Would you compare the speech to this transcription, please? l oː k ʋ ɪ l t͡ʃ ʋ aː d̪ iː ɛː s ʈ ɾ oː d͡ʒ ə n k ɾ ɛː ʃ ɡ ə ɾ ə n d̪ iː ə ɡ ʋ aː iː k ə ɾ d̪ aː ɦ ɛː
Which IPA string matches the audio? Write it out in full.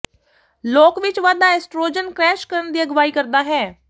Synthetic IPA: l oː k ʋ ɪ t͡ʃ ʋ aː d̪ aː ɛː s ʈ ɾ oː d͡ʒ ə n k ɾ ɛː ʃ k ə ɾ ə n d̪ iː ə ɡ ʋ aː iː k ə ɾ d̪ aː ɦ ɛː